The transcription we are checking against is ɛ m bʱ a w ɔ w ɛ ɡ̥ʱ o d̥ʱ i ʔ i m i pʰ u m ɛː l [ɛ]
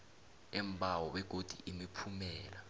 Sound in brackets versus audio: incorrect: a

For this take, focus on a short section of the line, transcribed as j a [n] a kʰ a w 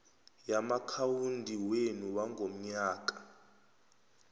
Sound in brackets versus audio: incorrect: m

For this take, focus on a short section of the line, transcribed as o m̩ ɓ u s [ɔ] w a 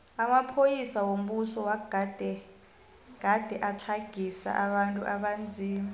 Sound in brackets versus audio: correct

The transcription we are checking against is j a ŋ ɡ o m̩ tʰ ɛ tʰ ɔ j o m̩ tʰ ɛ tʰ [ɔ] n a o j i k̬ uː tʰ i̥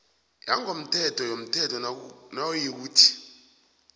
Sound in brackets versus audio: correct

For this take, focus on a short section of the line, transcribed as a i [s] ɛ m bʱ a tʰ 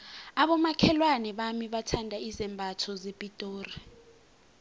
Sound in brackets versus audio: incorrect: z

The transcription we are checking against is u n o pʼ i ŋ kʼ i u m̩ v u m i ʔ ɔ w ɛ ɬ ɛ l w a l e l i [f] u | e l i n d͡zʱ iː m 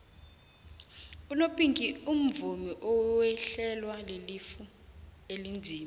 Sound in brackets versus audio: correct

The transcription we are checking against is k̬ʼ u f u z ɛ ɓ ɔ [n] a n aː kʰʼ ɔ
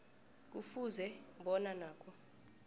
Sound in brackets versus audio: correct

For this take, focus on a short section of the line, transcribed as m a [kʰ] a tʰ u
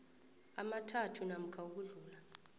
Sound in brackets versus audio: incorrect: tʰ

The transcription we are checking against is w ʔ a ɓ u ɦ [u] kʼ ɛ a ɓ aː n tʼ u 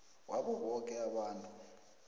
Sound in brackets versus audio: incorrect: ɔ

